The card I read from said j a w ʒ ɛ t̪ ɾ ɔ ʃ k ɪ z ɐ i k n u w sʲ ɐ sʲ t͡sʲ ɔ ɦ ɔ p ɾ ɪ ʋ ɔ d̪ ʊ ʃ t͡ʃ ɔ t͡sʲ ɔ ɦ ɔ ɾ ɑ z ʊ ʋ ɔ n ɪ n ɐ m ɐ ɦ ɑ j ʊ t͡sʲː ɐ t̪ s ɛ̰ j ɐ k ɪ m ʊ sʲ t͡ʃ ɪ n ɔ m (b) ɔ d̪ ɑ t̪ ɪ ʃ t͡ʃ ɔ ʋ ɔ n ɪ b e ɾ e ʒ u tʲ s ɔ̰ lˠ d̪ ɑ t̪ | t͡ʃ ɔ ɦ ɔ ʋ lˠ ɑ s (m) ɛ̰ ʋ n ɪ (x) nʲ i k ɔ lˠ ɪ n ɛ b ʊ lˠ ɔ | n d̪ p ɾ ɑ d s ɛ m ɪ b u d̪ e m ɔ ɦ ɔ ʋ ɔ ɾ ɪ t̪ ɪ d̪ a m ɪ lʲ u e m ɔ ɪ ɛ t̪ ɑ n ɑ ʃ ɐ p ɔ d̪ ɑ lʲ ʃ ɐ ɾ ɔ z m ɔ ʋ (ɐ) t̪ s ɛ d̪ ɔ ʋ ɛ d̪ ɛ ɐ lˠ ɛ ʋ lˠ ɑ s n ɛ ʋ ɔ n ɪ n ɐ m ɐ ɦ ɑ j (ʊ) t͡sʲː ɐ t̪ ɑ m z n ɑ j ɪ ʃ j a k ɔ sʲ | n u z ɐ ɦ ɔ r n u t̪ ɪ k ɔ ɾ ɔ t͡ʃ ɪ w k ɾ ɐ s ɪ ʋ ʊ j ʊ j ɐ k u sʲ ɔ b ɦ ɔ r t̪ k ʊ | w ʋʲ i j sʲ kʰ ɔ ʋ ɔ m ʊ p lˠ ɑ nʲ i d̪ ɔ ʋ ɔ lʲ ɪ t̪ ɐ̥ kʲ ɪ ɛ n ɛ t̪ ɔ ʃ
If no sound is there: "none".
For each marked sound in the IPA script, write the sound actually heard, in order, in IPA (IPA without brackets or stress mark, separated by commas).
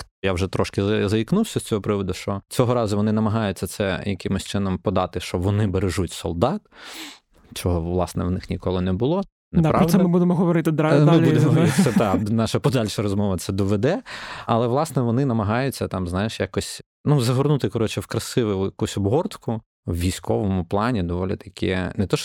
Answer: p, n, x, ɐ, ʊ